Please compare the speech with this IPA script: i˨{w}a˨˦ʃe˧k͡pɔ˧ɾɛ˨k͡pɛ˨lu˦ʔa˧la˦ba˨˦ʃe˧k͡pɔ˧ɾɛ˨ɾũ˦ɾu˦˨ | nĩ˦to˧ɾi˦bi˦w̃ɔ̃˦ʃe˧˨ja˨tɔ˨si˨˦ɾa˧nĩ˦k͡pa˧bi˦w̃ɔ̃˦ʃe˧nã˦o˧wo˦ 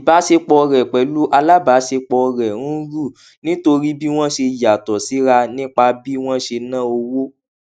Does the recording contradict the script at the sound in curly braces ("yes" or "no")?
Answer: yes